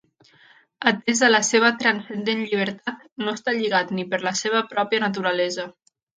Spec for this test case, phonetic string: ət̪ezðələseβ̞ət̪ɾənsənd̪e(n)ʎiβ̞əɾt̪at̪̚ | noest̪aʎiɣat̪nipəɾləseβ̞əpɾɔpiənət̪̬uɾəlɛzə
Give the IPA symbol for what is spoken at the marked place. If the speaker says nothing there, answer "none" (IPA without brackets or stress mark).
n